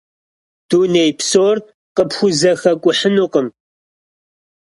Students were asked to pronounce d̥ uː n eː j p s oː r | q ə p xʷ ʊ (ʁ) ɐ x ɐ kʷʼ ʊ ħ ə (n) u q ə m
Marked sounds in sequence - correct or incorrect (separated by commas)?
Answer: incorrect, correct